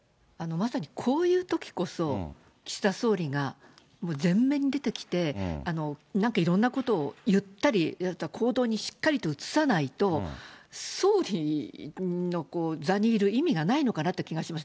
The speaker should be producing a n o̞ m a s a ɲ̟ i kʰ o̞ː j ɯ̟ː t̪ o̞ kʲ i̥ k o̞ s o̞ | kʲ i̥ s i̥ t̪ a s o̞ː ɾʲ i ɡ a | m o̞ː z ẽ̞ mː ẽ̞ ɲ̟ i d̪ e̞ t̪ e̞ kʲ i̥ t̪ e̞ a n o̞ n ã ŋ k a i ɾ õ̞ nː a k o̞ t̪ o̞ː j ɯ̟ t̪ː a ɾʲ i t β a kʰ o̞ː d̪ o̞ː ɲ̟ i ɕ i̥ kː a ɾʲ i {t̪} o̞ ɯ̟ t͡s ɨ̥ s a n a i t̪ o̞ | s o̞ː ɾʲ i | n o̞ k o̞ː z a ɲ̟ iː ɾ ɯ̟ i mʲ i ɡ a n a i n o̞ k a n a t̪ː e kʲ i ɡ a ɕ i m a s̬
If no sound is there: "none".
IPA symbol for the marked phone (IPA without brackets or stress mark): t̪